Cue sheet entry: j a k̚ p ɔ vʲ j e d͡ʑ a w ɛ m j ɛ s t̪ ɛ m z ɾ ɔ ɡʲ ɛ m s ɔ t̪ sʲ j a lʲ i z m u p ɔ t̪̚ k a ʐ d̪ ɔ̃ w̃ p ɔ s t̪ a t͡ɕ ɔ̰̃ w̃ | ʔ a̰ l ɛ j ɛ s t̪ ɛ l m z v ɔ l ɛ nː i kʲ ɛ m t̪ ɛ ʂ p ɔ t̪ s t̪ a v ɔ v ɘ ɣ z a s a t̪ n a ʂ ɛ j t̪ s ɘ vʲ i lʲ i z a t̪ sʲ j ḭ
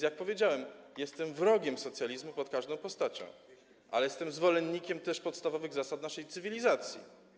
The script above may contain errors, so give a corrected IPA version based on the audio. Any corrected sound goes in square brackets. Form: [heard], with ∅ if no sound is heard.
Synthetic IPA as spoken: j a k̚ p ɔ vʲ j e d͡ʑ a w ɛ m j ɛ s t̪ ɛ m [v] ɾ ɔ ɡʲ ɛ m s ɔ t̪ sʲ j a lʲ i z m u p ɔ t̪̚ k a ʐ d̪ ɔ̃ w̃ p ɔ s t̪ a t͡ɕ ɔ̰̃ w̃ | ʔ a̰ l ɛ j ɛ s t̪ ɛ [∅] m z v ɔ l ɛ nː i kʲ ɛ m t̪ ɛ ʂ p ɔ t̪ s t̪ a v ɔ v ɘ ɣ z a s a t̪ n a ʂ ɛ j t̪ s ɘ vʲ i lʲ i z a t̪ sʲ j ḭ